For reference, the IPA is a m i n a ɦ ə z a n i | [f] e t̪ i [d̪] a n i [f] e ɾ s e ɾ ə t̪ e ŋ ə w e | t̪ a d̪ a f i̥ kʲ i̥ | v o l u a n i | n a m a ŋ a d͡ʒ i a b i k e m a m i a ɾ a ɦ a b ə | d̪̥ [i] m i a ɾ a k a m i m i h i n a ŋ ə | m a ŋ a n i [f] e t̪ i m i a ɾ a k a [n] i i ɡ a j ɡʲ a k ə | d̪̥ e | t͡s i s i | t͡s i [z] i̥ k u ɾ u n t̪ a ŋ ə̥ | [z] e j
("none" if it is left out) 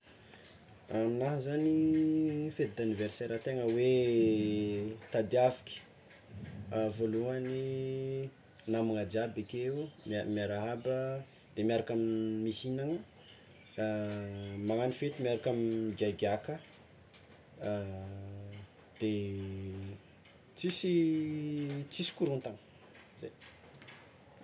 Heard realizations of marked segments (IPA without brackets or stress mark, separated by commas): f, d̪, v, e, f, m, s, z